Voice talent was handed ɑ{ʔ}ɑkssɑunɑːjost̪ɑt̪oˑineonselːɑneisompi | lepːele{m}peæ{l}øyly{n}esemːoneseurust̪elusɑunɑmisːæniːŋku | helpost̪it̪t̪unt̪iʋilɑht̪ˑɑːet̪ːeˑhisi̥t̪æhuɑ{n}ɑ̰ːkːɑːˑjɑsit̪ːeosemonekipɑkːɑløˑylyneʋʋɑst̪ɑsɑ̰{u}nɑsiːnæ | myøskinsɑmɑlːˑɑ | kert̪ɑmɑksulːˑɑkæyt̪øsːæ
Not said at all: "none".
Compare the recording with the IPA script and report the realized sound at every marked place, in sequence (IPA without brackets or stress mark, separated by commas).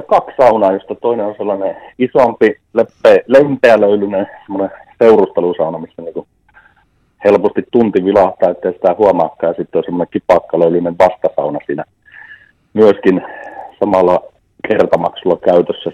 k, m, l, n, m, u